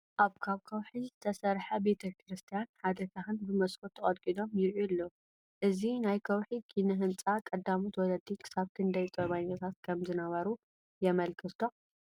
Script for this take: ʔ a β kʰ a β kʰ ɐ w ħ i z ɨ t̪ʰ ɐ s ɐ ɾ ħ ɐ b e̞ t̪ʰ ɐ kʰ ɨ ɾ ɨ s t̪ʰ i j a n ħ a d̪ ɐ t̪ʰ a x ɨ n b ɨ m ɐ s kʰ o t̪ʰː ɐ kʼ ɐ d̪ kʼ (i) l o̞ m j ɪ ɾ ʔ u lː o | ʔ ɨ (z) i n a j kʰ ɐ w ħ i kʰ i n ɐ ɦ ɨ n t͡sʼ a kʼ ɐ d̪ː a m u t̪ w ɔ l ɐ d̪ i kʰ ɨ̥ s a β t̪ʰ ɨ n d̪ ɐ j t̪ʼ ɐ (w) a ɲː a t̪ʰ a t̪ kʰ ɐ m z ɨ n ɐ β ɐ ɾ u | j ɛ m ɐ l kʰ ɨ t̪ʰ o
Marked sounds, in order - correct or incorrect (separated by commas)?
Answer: correct, correct, incorrect